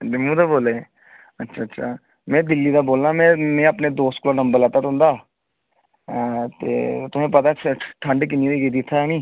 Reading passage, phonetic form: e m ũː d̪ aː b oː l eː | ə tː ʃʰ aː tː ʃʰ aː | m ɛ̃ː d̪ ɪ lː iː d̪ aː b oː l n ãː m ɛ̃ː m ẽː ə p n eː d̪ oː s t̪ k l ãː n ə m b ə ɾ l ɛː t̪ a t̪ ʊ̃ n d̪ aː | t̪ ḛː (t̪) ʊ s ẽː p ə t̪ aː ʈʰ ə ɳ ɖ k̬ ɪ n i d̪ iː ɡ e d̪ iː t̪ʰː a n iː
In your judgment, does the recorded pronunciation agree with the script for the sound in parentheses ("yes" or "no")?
yes